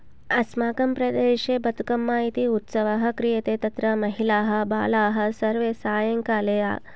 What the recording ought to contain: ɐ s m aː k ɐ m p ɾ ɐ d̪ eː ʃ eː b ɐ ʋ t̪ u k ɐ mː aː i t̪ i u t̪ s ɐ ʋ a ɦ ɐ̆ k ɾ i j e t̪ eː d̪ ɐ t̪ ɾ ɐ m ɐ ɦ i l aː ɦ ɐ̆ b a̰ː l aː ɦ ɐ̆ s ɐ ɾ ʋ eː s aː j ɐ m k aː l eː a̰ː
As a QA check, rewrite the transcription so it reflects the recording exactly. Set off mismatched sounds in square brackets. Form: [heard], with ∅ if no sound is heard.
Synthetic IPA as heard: ɐ s m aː k ɐ m p ɾ ɐ d̪ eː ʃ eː b ɐ [∅] t̪ u k ɐ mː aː i t̪ i u t̪ s ɐ ʋ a ɦ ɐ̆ k ɾ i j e t̪ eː [t̪] ɐ t̪ ɾ ɐ m ɐ ɦ i l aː ɦ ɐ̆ b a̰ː l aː ɦ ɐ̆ s ɐ ɾ ʋ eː s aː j ɐ [ŋ] k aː l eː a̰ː